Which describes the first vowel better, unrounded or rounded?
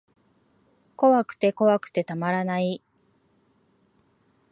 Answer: rounded